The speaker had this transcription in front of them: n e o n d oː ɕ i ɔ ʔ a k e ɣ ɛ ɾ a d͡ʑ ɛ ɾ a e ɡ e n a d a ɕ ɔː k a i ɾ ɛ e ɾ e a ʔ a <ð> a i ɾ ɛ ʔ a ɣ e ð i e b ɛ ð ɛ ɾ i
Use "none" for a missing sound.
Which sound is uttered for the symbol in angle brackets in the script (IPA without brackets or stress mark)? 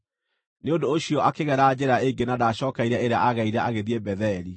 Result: ɣ